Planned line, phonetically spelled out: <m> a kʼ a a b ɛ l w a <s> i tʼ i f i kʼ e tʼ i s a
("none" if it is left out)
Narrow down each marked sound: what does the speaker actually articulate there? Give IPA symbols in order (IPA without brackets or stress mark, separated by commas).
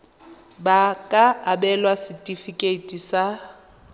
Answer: b, s